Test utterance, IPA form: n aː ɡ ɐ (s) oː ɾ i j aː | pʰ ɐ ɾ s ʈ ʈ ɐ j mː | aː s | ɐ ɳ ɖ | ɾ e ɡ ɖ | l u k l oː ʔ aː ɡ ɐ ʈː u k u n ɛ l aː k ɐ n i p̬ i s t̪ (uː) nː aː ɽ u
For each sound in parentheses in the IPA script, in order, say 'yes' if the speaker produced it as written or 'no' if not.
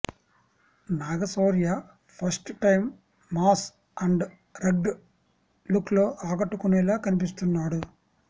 yes, no

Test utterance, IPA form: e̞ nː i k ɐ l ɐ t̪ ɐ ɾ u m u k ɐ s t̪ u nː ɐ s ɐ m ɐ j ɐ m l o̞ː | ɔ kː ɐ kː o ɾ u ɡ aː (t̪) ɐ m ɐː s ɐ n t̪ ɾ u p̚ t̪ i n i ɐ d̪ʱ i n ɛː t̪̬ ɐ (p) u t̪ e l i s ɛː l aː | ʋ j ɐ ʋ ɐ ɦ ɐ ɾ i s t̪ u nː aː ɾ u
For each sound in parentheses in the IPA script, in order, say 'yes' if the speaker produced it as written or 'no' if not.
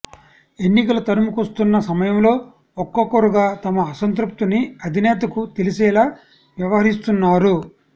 yes, no

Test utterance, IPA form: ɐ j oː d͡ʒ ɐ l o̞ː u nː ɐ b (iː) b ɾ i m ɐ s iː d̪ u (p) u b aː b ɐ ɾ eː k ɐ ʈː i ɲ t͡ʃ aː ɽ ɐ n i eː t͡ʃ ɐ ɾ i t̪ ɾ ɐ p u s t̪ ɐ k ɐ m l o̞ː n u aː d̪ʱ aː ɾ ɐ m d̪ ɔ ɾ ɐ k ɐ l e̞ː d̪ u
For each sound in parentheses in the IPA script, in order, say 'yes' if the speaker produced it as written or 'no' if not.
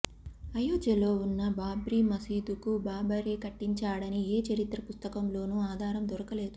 no, no

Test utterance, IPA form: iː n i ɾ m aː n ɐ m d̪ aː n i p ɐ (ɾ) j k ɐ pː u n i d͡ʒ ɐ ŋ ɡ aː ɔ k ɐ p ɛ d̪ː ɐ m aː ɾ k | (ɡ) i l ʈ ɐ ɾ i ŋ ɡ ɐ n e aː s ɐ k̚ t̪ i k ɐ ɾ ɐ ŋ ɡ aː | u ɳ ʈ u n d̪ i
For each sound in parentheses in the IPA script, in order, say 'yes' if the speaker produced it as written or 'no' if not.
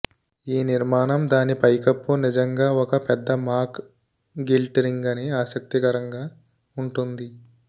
no, yes

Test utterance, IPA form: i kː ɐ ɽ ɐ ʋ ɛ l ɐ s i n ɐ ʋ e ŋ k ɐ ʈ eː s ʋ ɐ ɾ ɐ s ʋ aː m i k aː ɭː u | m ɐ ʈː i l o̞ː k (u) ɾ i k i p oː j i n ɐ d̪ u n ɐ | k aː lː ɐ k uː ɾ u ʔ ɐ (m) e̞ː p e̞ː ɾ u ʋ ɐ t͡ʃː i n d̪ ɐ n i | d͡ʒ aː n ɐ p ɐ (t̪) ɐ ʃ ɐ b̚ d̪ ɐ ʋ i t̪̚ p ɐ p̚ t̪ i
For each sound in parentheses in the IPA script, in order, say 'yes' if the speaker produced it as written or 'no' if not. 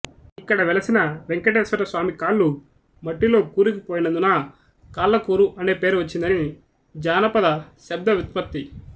no, no, no

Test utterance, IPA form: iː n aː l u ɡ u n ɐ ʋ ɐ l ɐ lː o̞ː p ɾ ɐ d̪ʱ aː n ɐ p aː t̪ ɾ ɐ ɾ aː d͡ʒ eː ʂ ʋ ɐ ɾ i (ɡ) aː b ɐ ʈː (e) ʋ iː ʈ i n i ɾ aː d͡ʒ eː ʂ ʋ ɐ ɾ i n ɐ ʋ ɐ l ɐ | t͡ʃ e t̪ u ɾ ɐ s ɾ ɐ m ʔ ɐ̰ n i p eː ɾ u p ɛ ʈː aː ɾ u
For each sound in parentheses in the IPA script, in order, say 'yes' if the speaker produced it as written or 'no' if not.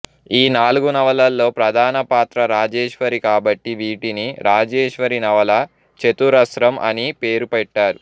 no, no

